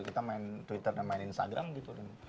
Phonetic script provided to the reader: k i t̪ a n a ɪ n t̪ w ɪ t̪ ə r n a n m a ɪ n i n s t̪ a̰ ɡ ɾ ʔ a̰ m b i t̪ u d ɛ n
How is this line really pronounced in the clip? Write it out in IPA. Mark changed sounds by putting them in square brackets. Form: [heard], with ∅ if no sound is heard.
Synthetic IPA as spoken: k i t̪ a [m] a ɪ n t̪ w [i] t̪ ə r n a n m a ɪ n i n s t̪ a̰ ɡ ɾ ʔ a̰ m [ɡ] i t̪ u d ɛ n